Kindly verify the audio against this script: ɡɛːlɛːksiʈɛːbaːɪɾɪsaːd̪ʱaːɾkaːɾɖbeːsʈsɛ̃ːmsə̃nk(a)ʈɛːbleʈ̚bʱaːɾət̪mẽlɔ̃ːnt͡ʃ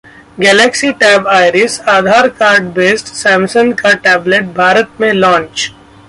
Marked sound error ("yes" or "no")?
no